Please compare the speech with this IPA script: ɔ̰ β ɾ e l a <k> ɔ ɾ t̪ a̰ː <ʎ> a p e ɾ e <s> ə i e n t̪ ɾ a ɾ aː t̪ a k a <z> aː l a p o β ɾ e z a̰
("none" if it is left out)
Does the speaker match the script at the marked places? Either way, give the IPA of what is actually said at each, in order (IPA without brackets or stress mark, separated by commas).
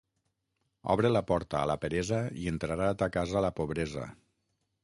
p, l, z, z